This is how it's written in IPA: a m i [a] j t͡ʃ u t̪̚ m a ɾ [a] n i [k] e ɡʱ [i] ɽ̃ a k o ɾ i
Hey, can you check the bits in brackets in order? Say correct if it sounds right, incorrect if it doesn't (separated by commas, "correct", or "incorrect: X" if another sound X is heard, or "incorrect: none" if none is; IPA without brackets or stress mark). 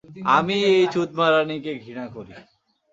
incorrect: e, correct, correct, correct